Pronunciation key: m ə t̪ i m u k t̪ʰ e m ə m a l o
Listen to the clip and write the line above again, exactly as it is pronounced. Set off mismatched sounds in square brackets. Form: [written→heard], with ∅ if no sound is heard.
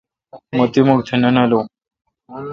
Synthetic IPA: m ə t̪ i m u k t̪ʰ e [m→n] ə [m→n] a l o

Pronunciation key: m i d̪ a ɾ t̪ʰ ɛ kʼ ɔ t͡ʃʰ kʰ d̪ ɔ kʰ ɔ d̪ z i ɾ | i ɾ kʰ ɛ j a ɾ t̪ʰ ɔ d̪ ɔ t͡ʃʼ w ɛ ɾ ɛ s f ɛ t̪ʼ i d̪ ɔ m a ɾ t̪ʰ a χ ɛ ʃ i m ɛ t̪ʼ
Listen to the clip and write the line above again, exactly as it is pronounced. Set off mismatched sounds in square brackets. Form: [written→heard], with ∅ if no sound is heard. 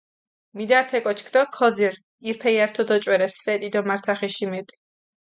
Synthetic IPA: m i d̪ a ɾ t̪ʰ ɛ kʼ ɔ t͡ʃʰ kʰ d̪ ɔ kʰ ɔ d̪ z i ɾ | i ɾ [kʰ→pʰ] ɛ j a ɾ t̪ʰ ɔ d̪ ɔ t͡ʃʼ w ɛ ɾ ɛ s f ɛ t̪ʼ i d̪ ɔ m a ɾ t̪ʰ a χ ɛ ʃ i m ɛ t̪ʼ

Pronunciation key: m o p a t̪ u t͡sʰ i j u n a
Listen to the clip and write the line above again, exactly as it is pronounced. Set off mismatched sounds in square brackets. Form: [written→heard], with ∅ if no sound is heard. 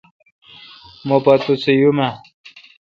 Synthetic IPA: m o p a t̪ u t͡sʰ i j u [n→m] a

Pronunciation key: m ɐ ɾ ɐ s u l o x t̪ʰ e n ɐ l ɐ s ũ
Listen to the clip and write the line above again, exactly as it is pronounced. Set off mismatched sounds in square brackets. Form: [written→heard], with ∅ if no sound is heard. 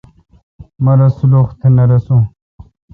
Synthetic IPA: m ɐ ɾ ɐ s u l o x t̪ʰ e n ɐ [l→ɾ] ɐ s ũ

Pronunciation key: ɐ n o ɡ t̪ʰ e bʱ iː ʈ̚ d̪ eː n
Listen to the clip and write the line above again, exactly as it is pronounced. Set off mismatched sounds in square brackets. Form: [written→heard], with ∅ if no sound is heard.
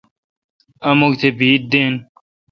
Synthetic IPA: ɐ [n→m] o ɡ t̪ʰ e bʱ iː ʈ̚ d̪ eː n

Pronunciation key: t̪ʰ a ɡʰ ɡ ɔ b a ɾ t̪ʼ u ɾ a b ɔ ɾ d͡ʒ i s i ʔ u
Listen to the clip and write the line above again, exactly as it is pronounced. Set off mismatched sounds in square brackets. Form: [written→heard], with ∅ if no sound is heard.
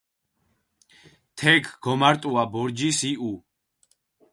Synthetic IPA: t̪ʰ [a→ɛ] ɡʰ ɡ ɔ [b→m] a ɾ t̪ʼ u [ɾ→∅] a b ɔ ɾ d͡ʒ i s i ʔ u

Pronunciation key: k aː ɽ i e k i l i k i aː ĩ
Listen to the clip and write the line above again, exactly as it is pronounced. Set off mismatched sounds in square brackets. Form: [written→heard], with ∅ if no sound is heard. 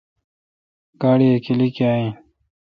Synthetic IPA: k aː ɽ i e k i l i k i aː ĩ

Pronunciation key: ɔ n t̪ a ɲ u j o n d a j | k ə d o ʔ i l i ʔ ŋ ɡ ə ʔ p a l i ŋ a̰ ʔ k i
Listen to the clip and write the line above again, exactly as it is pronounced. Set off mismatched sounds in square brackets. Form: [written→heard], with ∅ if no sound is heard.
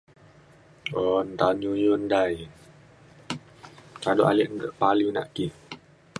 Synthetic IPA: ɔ n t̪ a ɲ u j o n d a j | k [ə→a] d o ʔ [i→a] l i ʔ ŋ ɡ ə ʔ p a l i [ŋ→n] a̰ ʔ k i

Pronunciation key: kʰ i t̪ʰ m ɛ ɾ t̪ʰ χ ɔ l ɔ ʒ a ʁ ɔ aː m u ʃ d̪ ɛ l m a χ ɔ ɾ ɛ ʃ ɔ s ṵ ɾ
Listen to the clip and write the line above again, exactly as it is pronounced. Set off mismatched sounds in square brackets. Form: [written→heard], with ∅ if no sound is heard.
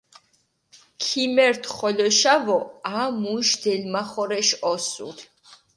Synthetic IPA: kʰ i [t̪ʰ→∅] m ɛ ɾ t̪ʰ χ ɔ l ɔ [ʒ→ʃ] a [ʁ→v] ɔ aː m u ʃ d̪ ɛ l m a χ ɔ ɾ ɛ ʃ ɔ s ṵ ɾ

